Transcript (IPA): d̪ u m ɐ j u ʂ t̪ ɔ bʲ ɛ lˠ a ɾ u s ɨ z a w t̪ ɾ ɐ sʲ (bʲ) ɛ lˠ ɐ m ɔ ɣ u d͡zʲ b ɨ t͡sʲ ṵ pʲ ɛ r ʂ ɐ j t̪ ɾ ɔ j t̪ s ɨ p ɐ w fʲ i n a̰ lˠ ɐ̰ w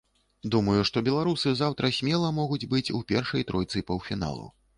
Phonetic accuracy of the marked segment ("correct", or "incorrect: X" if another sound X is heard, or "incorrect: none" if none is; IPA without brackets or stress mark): incorrect: mʲ